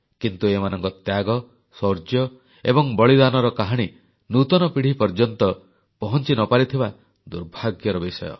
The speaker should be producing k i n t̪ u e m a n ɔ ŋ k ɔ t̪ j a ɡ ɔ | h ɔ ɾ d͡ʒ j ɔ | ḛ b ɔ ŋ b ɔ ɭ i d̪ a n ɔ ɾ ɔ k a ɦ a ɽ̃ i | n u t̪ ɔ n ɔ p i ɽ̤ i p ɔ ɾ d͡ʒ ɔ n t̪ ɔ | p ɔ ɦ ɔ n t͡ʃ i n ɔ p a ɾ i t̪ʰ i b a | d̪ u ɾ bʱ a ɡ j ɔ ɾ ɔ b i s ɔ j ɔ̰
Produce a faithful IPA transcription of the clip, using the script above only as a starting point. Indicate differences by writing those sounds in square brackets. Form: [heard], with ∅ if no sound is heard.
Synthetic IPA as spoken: k i n t̪ u e m a n ɔ ŋ k ɔ t̪ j a ɡ ɔ | [s] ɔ ɾ d͡ʒ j ɔ | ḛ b ɔ ŋ b ɔ ɭ i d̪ a n ɔ ɾ ɔ k a ɦ a ɽ̃ i | n u t̪ ɔ n ɔ p i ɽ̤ i p ɔ ɾ d͡ʒ ɔ n t̪ ɔ | p ɔ ɦ ɔ n t͡ʃ i n ɔ p a ɾ i t̪ʰ i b a | d̪ u ɾ bʱ a ɡ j ɔ ɾ ɔ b i s ɔ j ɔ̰